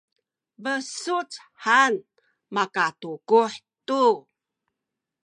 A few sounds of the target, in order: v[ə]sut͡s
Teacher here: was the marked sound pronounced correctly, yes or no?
yes